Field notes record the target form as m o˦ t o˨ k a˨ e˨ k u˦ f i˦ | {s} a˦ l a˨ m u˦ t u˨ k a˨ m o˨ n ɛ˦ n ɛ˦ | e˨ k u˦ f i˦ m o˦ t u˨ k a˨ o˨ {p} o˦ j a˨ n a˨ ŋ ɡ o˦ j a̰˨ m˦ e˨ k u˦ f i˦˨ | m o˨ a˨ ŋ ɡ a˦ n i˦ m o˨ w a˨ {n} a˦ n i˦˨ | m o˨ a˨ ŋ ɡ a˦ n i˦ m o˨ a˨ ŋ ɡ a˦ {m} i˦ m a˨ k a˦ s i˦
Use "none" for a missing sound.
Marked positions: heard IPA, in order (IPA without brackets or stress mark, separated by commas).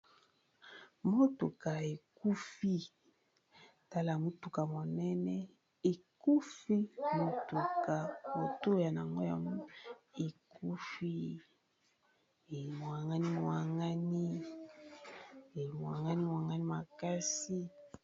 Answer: t, t, ŋ, n